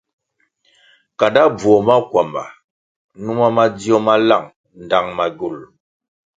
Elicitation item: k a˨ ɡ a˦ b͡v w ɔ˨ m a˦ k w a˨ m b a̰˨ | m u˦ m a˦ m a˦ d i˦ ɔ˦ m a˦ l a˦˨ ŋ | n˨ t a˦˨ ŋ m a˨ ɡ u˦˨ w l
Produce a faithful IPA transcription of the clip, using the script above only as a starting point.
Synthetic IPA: k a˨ d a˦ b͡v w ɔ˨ m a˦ k w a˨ m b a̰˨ | n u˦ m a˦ m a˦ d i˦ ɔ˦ m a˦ l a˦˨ ŋ | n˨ d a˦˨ ŋ m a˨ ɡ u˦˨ l